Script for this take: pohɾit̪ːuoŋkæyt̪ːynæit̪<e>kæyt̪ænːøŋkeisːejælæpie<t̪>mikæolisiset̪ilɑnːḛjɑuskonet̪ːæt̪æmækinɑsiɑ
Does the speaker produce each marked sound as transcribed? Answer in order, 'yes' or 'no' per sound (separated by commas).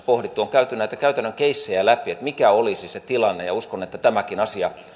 no, yes